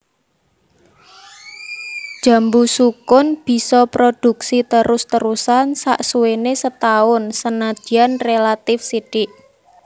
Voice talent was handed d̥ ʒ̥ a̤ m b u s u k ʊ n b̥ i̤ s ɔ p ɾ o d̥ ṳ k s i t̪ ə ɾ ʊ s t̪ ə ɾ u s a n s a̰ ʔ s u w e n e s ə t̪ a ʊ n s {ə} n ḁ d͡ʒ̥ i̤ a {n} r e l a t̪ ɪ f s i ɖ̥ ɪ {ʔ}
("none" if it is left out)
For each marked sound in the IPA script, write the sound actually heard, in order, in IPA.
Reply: ə, n, ʔ

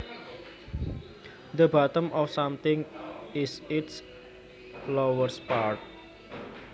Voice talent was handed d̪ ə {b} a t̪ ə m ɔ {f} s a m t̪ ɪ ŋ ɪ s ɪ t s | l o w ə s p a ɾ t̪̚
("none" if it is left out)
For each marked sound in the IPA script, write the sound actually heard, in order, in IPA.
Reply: b, f

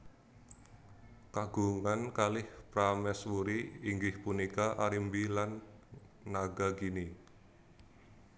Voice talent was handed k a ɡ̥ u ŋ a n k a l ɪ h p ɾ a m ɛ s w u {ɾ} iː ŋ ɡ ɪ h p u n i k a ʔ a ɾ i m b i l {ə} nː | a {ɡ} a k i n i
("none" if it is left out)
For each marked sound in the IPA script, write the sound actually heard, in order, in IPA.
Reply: ɾ, a, ɡ

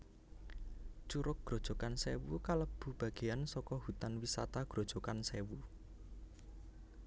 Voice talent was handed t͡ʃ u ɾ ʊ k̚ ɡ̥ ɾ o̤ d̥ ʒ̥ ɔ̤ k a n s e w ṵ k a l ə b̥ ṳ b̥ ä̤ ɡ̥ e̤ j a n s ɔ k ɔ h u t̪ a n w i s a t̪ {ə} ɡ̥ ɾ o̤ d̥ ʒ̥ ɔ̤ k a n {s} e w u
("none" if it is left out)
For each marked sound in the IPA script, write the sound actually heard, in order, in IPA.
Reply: a, s

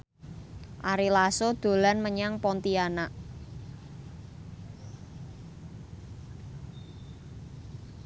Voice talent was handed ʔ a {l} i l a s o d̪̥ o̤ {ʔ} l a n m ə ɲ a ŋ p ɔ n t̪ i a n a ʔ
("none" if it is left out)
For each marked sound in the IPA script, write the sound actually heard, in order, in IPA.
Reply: ɾ, none

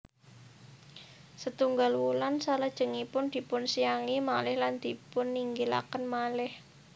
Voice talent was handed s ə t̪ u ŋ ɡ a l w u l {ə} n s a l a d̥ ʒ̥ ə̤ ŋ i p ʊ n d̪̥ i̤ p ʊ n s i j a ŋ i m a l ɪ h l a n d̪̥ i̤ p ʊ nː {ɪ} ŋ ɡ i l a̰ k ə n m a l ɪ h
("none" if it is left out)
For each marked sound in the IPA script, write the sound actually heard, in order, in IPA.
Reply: a, i

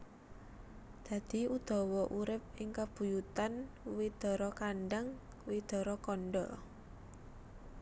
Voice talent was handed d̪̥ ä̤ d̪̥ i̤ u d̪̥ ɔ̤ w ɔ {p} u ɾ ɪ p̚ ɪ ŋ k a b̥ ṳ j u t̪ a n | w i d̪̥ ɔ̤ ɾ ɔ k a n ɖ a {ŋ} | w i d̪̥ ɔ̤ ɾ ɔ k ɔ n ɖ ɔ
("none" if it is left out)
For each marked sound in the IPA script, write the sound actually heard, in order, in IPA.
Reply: ʔ, ŋ

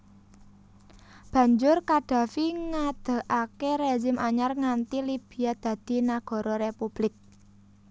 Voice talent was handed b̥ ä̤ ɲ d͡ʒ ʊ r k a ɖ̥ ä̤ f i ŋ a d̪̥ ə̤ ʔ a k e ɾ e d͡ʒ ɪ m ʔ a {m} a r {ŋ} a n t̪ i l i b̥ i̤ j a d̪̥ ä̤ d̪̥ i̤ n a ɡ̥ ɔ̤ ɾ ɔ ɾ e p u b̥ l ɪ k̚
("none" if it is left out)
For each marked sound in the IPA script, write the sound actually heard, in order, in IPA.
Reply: ɲ, ŋ

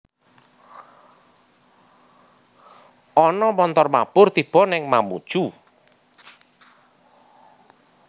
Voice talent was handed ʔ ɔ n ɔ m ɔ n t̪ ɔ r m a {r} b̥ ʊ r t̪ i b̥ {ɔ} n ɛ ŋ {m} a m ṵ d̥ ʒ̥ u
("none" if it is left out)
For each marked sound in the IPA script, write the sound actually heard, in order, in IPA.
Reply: none, ɔ, m

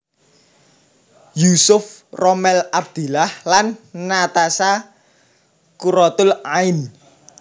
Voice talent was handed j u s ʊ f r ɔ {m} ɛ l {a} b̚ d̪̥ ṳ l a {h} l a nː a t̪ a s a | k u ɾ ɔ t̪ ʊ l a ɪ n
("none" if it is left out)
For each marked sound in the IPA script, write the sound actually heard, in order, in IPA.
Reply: m, a, h

